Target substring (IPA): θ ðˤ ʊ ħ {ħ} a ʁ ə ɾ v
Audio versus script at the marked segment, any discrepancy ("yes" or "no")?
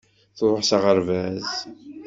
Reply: yes